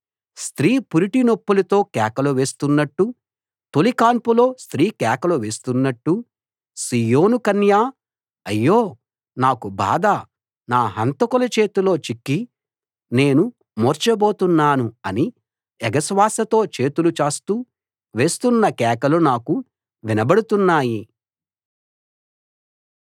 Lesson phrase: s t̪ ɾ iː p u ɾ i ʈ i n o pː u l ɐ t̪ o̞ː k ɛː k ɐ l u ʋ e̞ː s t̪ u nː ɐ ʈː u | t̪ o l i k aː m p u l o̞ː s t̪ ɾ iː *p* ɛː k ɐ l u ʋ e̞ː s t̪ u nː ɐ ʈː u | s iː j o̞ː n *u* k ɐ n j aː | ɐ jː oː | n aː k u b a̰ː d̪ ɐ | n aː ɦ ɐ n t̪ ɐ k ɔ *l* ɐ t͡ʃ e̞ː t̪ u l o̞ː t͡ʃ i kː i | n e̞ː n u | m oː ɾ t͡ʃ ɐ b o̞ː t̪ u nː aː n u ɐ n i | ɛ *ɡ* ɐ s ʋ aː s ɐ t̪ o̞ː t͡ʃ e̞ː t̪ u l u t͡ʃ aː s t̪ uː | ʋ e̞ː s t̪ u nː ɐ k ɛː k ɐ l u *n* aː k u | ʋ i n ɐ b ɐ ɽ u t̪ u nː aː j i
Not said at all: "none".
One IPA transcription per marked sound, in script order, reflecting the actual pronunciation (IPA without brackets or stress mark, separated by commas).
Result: k, u, l, ɡ, n